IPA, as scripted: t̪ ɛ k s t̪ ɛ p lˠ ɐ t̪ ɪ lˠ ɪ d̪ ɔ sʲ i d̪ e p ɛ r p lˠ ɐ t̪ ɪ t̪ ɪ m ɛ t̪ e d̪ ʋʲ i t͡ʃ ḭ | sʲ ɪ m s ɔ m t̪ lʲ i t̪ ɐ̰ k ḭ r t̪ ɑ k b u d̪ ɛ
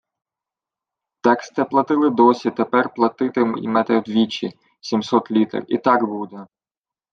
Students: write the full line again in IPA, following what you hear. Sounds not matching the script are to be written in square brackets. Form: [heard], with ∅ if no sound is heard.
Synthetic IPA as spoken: t̪ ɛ k s t̪ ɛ p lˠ ɐ t̪ ɪ lˠ ɪ d̪ ɔ sʲ i [t̪] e p ɛ r p lˠ ɐ t̪ ɪ t̪ ɪ m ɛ t̪ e d̪ ʋʲ i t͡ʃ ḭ | sʲ [i] m s ɔ [∅] t̪ lʲ i t̪ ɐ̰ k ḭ [∅] t̪ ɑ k b u d̪ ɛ